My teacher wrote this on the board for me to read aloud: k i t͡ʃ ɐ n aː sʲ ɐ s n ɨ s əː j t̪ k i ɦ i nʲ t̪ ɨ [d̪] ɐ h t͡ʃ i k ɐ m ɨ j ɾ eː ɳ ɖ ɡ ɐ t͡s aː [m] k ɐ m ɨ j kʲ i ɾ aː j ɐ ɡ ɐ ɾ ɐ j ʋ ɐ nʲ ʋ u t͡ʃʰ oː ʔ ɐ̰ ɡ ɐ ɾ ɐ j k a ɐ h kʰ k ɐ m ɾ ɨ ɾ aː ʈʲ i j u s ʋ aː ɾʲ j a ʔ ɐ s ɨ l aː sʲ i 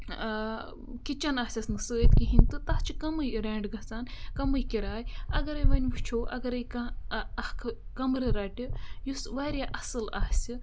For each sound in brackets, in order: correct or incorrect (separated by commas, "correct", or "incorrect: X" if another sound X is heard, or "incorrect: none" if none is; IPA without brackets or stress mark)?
incorrect: t̪, incorrect: n